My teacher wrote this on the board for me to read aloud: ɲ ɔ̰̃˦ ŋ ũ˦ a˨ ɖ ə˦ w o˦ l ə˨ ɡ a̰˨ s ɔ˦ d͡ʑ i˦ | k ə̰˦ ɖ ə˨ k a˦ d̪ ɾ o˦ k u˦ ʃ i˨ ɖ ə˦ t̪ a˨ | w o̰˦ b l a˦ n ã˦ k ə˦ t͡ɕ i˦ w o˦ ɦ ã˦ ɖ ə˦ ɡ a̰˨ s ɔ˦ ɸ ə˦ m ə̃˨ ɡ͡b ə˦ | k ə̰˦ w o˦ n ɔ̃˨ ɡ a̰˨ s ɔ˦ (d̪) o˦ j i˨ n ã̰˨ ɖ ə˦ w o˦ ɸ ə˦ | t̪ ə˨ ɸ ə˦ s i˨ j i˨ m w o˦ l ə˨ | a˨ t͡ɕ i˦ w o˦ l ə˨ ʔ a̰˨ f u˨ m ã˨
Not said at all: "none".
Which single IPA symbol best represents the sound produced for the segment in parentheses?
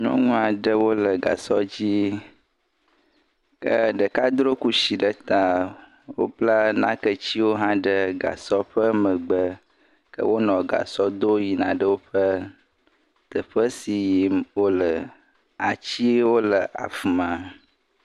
d̪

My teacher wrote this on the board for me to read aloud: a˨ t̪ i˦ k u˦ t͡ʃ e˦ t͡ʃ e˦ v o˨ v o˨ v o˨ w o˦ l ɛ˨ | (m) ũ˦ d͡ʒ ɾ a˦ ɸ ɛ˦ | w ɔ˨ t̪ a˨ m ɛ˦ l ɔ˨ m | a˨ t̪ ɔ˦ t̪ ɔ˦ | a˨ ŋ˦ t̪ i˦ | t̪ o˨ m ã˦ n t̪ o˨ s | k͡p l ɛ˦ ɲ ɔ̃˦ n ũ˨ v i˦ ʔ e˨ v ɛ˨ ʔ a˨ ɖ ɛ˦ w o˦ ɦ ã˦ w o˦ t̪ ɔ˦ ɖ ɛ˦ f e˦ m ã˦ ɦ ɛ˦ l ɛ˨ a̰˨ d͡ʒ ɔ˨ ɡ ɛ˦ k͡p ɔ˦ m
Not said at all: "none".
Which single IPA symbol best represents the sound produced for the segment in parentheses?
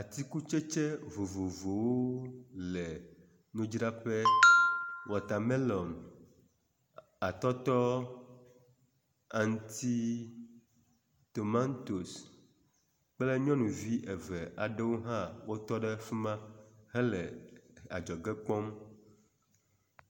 n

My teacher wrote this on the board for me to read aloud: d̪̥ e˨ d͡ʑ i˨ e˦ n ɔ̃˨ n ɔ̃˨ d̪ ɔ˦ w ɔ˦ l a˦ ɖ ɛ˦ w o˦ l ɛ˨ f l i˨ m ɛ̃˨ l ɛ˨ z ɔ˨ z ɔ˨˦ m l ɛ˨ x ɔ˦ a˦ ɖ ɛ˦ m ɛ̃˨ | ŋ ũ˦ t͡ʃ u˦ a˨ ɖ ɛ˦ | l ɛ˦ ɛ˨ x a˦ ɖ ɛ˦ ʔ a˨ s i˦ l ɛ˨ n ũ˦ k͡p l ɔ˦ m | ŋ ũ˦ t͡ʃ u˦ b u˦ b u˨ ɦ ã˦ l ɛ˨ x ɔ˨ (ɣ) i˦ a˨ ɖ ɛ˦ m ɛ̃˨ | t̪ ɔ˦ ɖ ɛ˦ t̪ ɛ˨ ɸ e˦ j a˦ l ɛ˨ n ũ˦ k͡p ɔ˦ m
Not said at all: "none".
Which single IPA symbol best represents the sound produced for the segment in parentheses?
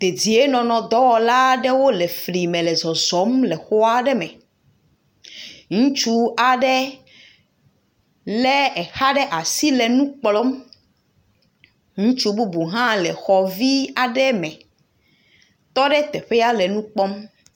v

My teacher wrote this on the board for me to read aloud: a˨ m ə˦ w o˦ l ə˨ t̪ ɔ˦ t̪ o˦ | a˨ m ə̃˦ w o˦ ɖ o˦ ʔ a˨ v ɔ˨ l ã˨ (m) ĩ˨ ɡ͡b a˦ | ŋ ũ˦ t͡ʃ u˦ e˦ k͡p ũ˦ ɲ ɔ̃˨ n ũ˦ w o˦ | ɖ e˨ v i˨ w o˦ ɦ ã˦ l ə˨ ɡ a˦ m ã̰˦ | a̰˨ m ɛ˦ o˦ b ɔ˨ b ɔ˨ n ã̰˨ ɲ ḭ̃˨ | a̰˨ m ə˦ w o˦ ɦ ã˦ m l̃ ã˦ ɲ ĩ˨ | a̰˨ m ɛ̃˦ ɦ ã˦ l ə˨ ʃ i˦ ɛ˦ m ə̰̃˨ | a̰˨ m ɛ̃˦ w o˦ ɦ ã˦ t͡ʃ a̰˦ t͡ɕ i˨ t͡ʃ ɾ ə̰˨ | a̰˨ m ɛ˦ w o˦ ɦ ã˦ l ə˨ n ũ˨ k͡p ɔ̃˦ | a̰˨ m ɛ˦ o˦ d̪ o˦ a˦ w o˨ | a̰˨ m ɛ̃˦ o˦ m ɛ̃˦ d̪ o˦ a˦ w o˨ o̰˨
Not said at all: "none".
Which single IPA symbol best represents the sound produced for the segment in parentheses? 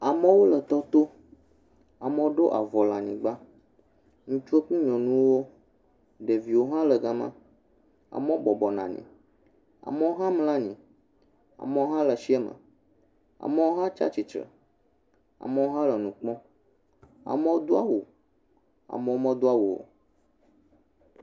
ɲ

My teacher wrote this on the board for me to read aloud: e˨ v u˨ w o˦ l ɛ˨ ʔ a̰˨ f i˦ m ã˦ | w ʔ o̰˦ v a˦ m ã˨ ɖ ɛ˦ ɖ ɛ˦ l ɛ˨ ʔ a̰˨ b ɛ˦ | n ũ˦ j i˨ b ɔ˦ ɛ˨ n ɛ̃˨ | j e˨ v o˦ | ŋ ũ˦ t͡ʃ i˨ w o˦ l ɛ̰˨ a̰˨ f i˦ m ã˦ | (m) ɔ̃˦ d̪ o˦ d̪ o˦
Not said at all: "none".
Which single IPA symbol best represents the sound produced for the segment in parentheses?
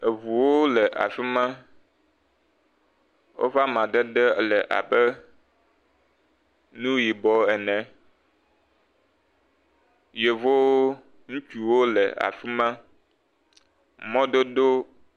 m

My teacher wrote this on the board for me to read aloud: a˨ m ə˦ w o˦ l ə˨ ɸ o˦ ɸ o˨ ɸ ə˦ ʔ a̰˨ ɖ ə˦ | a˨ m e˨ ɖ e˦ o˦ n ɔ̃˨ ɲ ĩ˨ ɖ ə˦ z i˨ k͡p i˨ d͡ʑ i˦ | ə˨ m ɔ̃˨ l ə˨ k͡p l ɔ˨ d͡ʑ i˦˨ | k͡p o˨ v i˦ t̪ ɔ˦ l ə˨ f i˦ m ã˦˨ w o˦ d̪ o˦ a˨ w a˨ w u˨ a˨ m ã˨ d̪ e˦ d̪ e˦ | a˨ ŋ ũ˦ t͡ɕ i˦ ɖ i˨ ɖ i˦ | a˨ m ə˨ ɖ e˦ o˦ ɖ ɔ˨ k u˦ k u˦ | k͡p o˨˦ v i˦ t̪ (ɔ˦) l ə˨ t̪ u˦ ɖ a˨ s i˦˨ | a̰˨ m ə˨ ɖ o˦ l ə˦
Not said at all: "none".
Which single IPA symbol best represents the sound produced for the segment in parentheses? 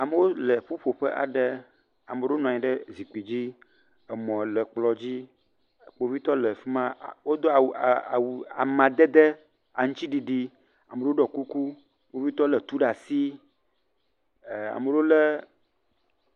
ɔ˦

